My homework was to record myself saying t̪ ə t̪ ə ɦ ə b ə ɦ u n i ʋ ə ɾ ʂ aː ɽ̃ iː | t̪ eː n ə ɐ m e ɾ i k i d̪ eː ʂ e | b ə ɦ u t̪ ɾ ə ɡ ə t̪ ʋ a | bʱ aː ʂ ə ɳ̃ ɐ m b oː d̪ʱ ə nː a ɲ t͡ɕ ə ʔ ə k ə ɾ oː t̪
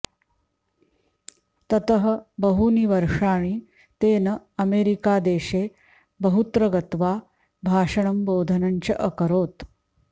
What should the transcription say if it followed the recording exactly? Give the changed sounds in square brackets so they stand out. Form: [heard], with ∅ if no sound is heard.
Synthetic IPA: t̪ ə t̪ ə ɦ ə b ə ɦ u n i ʋ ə ɾ ʂ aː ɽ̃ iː | t̪ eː n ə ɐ m e ɾ i k [a] d̪ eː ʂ e | b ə ɦ u t̪ ɾ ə ɡ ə t̪ ʋ a | bʱ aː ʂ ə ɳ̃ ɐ m b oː d̪ʱ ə [n] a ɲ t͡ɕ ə ʔ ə k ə ɾ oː t̪